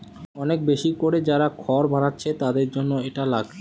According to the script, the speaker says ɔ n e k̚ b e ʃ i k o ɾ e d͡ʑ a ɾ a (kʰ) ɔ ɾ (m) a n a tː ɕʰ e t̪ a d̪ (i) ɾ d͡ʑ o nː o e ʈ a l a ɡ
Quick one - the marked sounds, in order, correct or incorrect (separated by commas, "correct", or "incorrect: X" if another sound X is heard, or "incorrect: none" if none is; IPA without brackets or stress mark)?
correct, incorrect: b, incorrect: e